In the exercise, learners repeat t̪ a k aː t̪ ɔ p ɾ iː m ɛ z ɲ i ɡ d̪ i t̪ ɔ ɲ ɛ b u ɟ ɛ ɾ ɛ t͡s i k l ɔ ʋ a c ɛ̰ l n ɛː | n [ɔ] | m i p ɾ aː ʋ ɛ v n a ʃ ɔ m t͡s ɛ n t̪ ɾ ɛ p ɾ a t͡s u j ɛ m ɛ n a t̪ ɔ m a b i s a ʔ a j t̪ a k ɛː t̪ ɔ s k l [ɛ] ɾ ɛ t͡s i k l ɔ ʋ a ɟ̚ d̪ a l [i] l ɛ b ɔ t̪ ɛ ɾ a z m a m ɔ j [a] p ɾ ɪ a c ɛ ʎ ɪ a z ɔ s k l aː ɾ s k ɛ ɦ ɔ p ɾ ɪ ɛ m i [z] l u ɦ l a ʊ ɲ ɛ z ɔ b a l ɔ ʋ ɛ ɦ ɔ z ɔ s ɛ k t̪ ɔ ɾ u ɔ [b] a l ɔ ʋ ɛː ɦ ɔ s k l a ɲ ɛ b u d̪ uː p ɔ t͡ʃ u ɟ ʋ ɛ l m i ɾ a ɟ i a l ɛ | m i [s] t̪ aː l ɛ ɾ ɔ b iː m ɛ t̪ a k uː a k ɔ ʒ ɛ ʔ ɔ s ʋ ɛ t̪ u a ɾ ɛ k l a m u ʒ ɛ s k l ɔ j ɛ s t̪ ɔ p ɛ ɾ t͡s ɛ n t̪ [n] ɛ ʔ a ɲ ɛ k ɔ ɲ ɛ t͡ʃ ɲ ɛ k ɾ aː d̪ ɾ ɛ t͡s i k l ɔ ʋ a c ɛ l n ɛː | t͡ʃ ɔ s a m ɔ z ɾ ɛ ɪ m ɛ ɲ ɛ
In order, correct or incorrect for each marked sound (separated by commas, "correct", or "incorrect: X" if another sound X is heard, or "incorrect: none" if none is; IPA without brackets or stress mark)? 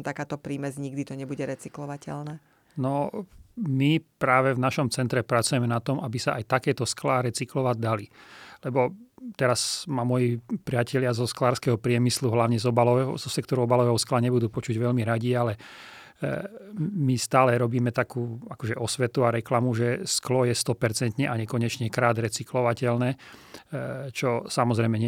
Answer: correct, incorrect: a, correct, incorrect: i, incorrect: s, correct, correct, incorrect: ɲ